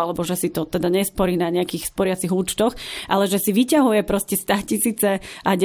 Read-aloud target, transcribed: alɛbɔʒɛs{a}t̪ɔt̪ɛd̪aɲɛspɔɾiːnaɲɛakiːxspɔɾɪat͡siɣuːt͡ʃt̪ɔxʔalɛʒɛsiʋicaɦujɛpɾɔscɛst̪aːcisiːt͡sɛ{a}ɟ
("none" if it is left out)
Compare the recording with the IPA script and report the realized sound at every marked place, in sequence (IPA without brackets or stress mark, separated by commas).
i, a